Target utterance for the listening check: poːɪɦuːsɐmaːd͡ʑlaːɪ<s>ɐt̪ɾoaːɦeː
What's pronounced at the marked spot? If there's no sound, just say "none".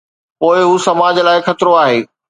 x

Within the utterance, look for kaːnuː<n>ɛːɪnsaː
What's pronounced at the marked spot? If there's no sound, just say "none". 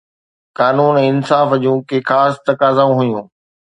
n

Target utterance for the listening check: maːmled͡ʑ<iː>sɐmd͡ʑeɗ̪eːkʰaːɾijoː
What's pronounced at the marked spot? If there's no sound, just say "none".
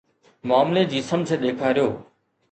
iː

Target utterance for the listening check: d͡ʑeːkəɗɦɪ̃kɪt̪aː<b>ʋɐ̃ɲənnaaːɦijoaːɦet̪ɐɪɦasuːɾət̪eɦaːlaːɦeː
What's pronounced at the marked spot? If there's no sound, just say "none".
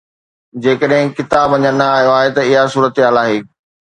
b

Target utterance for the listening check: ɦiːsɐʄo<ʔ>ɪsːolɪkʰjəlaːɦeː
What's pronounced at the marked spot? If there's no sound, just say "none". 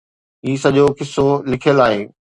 k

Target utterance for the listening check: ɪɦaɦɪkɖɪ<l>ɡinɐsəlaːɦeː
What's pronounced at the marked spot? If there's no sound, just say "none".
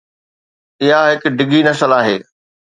none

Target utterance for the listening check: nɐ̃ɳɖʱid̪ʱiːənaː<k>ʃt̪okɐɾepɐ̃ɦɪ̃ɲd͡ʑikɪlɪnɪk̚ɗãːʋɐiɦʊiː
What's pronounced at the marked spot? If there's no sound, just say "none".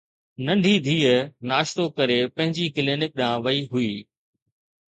none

